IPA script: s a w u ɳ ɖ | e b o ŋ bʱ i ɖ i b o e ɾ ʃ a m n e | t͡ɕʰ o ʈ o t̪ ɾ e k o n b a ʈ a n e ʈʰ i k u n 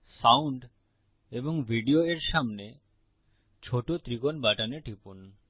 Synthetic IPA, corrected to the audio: s a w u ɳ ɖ | e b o ŋ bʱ i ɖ i o e ɾ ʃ a m n e | t͡ɕʰ o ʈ o t̪ ɾ i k o n b a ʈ a n e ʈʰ i p u n